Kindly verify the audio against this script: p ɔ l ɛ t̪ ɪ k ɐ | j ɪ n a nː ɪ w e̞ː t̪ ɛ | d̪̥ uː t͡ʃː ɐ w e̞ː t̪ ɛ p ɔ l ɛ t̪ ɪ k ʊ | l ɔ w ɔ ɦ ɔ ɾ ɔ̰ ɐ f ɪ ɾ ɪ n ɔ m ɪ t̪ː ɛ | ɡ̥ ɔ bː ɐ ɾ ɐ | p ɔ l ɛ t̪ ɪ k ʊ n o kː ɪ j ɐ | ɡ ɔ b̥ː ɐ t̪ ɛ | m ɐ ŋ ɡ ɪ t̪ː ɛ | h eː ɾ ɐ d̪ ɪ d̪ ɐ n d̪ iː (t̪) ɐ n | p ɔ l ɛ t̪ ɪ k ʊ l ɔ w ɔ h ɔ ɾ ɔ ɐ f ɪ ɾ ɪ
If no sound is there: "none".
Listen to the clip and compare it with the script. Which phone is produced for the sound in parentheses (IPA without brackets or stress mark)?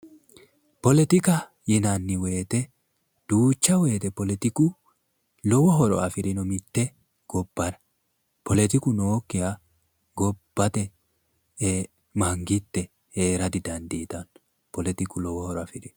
t̪